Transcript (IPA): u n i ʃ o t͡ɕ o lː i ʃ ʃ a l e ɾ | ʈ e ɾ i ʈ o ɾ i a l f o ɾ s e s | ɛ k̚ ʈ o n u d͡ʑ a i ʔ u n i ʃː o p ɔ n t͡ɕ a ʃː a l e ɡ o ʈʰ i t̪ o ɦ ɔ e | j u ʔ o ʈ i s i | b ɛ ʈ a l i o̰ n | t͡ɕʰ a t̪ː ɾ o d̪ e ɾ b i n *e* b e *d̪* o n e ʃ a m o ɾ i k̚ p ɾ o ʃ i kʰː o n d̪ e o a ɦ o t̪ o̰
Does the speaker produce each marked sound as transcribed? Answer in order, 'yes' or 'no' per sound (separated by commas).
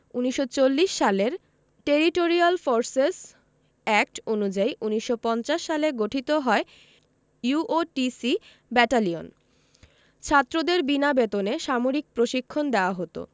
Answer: no, no